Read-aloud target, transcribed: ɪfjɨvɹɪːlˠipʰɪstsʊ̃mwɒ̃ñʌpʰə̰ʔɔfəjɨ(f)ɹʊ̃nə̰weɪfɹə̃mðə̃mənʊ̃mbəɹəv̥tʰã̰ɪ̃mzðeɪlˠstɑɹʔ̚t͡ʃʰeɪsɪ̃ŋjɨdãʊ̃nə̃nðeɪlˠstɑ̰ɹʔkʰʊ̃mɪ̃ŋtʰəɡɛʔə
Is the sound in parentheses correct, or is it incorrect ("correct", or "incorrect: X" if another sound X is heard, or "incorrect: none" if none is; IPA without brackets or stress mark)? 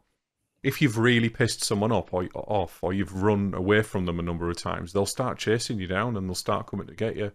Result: incorrect: v